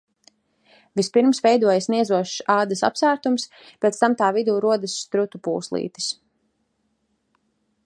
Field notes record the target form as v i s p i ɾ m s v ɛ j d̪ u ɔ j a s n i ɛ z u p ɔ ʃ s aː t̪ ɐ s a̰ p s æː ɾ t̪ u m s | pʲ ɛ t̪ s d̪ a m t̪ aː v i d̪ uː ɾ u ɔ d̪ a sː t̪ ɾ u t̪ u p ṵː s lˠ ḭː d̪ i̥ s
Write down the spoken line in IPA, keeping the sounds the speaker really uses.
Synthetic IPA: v i s p i ɾ m s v ɛ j d̪ u ɔ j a s n i ɛ z u ɔ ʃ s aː d̪ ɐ s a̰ p s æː ɾ t̪ u m s | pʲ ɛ t̪ s t̪ a m t̪ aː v i d̪ uː ɾ u ɔ d̪ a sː t̪ ɾ u t̪ u p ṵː s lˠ ḭː t̪ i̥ s